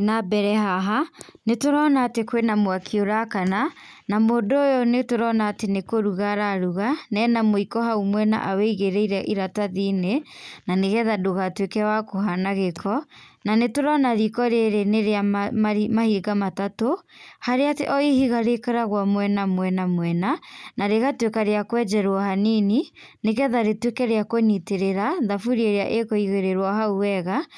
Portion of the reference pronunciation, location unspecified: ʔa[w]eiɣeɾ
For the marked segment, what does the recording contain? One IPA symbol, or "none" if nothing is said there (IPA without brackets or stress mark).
w